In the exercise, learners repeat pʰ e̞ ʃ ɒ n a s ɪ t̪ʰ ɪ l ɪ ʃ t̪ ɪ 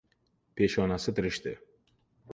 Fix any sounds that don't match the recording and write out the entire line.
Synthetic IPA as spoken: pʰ e̞ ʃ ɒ n a s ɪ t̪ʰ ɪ ɾ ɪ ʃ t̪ ɪ